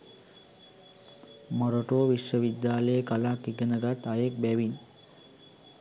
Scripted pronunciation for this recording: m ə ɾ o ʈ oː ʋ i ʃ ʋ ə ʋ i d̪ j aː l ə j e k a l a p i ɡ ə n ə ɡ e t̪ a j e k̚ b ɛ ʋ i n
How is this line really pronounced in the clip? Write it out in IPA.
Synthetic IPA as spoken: m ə ɾ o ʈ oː ʋ i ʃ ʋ ə ʋ i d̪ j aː l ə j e k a l a k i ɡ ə n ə ɡ a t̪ a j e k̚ b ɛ ʋ i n